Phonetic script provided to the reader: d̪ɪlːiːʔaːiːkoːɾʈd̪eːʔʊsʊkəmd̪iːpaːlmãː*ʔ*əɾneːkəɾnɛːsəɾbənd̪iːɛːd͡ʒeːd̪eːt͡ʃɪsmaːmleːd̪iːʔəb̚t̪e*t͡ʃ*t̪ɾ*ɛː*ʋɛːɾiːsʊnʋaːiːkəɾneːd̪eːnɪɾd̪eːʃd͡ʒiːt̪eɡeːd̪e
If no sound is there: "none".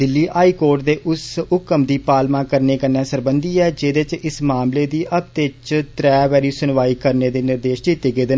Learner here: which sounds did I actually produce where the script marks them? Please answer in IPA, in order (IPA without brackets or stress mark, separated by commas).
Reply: k, t͡ʃ, ɛː